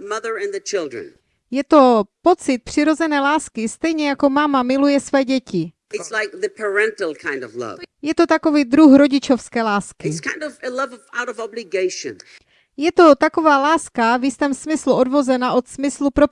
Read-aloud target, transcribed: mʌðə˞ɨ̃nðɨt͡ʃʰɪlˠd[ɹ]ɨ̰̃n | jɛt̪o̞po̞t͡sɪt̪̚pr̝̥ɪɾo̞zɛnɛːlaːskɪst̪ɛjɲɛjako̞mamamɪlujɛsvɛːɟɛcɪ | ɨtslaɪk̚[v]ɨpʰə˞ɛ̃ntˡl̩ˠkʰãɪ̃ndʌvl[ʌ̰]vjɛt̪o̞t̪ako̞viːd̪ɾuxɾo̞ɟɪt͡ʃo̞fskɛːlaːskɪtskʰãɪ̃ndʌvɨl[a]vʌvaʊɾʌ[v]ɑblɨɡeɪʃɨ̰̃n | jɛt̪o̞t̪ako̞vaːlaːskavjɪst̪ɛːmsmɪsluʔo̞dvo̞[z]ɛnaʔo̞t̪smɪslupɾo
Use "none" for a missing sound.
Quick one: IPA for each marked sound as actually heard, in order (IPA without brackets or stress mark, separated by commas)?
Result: ɹ, ð, ʌ̰, ʌ, v, z